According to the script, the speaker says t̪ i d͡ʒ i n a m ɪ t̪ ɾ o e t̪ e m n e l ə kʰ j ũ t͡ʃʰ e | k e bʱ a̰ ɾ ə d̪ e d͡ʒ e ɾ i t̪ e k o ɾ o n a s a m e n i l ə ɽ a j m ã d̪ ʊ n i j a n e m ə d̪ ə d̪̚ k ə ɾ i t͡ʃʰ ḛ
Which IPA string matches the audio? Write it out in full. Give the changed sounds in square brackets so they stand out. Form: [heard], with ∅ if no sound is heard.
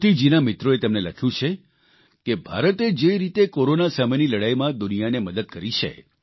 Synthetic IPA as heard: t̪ i d͡ʒ i n a m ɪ t̪ ɾ o e t̪ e m n e l ə kʰ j ũ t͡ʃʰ e | k e bʱ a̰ ɾ ə [t̪] e d͡ʒ e ɾ i t̪ e k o ɾ o n a s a m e n i l ə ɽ a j m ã d̪ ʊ n i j a n e m ə d̪ ə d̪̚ k ə ɾ i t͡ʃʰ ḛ